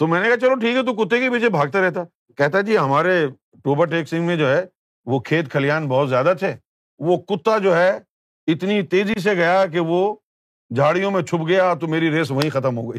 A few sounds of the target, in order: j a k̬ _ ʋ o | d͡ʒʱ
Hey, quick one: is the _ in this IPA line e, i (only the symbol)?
e